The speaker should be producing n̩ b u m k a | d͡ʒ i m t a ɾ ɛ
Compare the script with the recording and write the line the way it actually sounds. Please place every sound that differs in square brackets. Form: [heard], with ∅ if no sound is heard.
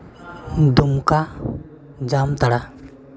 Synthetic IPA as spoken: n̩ [d] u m k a | d͡ʒ [a] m t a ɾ [a]